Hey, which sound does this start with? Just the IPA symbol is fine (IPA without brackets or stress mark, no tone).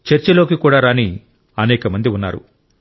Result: t͡ʃ